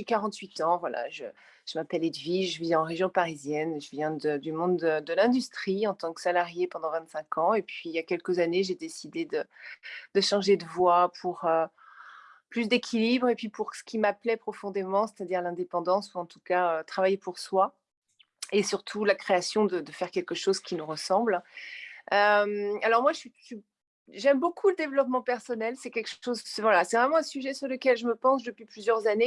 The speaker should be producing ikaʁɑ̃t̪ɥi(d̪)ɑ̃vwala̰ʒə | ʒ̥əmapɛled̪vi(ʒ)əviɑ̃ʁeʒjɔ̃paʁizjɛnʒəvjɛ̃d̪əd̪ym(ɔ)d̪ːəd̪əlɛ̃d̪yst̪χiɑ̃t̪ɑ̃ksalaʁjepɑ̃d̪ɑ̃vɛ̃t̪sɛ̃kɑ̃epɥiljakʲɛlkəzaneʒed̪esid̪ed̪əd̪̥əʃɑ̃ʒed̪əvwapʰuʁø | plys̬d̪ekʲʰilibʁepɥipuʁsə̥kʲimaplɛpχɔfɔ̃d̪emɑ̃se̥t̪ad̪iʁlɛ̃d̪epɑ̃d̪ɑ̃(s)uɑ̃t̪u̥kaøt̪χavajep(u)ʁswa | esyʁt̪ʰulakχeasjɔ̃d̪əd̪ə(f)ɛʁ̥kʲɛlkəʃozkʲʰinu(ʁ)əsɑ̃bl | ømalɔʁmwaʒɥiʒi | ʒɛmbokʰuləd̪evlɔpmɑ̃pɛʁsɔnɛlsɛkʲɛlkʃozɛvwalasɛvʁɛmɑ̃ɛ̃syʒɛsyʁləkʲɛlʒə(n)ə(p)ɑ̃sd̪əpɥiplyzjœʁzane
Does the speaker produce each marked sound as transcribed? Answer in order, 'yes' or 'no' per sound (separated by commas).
no, yes, no, yes, yes, yes, yes, no, yes